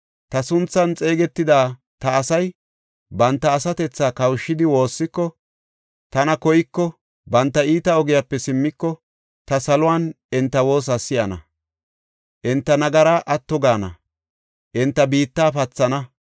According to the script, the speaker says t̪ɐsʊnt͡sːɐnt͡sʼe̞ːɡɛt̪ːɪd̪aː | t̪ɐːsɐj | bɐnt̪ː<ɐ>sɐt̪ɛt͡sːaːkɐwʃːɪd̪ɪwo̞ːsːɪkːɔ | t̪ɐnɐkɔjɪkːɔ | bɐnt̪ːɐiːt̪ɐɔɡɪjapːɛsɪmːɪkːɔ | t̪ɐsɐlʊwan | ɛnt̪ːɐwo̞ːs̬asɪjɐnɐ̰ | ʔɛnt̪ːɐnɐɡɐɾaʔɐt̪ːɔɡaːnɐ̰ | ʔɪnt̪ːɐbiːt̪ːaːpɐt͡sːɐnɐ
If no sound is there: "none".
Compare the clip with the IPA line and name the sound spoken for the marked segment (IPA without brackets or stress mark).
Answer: ɐː